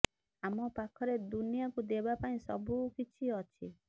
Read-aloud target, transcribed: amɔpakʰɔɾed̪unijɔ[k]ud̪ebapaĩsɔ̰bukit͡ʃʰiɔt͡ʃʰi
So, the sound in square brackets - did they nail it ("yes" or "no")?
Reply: yes